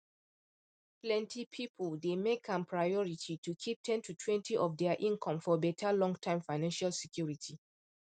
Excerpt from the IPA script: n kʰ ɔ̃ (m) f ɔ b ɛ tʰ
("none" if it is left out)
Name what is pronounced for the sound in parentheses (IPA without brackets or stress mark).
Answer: m